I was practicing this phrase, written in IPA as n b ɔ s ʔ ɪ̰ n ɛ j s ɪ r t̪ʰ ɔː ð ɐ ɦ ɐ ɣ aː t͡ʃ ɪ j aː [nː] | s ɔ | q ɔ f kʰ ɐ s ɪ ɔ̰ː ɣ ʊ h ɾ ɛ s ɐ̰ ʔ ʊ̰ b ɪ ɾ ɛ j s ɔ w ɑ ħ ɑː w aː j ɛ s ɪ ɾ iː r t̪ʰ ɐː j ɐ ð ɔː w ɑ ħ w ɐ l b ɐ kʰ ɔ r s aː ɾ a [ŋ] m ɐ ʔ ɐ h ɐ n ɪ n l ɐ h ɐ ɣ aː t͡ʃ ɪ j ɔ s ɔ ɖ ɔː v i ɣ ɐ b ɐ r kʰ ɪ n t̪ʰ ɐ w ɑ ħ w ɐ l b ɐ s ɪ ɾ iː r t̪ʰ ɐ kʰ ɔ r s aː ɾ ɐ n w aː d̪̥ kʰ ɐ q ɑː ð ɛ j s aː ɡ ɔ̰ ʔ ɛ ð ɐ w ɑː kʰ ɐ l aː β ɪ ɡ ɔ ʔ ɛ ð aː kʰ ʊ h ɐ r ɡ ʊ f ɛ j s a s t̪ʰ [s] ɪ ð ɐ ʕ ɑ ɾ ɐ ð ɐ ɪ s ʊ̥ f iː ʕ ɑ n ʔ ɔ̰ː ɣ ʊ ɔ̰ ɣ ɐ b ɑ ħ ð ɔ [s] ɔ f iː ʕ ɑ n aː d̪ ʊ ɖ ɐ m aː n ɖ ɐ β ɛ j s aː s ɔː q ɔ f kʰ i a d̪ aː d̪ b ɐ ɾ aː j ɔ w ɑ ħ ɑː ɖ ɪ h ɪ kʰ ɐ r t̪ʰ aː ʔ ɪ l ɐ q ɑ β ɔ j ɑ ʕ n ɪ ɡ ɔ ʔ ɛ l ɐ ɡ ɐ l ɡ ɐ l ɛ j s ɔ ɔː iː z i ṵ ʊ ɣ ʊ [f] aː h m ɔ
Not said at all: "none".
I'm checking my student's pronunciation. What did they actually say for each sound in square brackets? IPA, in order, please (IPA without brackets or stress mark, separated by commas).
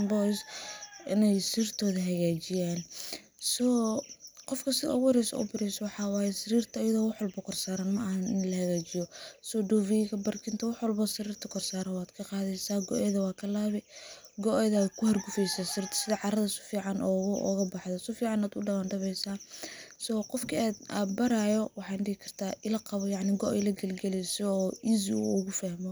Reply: n, n, s, s, f